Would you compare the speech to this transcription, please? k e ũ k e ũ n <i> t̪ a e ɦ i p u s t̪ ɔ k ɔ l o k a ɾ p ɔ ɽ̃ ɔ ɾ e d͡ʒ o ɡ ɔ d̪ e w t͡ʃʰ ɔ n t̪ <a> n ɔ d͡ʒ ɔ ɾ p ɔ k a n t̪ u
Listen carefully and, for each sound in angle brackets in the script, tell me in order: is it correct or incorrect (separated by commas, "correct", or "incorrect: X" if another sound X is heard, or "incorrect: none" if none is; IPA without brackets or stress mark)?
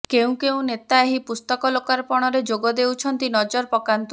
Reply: incorrect: e, incorrect: i